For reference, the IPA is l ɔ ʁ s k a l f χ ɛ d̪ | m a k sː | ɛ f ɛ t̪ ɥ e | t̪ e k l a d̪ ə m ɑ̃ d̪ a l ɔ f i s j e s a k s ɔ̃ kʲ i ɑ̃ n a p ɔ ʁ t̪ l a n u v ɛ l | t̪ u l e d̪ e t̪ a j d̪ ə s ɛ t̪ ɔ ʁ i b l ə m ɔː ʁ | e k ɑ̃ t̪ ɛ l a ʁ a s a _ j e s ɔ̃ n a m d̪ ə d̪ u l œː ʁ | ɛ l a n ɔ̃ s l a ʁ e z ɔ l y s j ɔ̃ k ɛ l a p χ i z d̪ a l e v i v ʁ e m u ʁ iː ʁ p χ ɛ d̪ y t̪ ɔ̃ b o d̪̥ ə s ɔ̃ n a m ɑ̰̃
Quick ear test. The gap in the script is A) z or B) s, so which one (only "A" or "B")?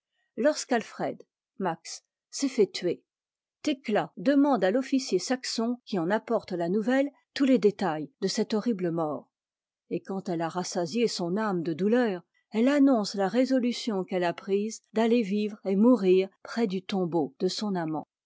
A